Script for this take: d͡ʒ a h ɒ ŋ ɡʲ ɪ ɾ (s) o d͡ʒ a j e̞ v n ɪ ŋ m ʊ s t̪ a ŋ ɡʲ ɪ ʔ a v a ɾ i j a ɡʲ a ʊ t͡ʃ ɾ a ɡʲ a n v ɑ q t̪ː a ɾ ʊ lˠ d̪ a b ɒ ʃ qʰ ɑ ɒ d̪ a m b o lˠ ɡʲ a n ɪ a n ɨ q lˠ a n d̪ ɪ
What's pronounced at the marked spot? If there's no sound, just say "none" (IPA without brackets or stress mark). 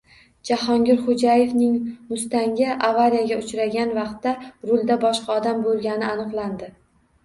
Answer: χ